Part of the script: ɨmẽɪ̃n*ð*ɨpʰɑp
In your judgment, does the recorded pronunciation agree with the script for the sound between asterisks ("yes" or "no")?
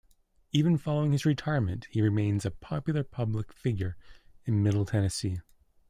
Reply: no